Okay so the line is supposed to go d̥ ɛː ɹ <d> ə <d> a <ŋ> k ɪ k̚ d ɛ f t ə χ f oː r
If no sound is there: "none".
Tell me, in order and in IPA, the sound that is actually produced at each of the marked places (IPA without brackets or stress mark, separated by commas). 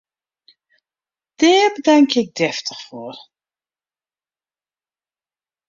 b, d, ŋ